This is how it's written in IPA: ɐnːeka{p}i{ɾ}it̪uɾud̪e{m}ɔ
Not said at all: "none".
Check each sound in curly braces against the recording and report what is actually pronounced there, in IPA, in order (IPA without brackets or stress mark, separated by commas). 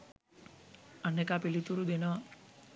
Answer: p, l, n